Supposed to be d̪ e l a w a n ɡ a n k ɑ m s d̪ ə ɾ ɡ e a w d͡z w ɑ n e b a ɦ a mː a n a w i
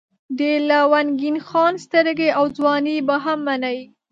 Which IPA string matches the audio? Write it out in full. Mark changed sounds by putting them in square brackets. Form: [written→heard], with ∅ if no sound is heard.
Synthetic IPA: d̪ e l a w a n ɡ [a→i] n [k→x] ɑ [m→n] s [d̪→t̪] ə ɾ ɡ e a w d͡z w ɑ n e b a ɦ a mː a n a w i